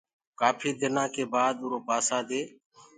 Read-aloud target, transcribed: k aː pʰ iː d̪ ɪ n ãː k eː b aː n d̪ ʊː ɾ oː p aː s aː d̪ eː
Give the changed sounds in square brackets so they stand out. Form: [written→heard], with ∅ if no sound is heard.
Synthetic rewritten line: k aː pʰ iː d̪ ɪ n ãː k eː b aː [n→∅] d̪ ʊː ɾ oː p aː s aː d̪ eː